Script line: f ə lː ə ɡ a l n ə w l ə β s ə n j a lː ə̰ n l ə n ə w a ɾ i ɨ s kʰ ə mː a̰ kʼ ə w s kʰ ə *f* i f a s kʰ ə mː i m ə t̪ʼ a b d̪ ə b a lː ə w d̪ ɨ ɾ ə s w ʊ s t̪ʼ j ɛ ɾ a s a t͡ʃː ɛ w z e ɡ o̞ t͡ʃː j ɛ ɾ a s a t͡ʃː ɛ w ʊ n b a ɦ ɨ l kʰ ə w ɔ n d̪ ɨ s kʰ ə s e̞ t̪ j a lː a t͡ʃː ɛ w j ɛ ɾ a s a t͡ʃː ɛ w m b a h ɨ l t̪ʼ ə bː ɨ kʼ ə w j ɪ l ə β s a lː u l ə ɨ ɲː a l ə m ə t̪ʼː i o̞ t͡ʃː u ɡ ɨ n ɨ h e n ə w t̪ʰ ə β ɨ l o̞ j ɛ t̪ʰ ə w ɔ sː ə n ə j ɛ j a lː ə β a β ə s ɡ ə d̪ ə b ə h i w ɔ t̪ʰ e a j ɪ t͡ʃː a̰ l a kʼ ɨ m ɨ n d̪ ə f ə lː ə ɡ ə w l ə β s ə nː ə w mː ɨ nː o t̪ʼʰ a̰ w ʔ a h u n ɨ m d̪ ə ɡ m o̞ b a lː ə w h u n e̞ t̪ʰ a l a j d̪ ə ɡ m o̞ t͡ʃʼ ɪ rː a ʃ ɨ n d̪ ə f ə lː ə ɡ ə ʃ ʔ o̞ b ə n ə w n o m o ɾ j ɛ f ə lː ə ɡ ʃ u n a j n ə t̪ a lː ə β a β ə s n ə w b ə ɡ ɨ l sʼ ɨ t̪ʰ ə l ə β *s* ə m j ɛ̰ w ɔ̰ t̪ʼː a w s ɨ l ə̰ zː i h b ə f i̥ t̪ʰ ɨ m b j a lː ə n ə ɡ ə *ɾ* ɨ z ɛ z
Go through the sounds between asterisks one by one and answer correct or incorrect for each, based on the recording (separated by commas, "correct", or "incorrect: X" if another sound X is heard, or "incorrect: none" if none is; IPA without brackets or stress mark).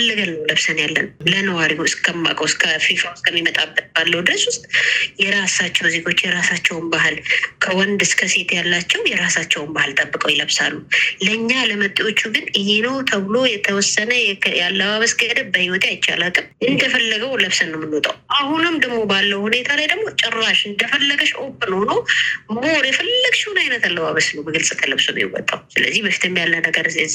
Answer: correct, correct, correct